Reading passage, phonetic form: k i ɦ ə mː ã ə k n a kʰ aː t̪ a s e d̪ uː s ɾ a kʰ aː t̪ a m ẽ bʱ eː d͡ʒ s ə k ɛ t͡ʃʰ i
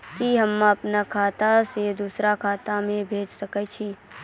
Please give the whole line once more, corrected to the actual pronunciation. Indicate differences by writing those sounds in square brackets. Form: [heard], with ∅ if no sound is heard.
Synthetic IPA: k i ɦ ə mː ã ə [p] n a kʰ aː t̪ a s e d̪ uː s ɾ a kʰ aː t̪ a m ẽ bʱ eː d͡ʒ s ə k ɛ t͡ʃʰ i